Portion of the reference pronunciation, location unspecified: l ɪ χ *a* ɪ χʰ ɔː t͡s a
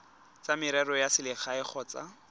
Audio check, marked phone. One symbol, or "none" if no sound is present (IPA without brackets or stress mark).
a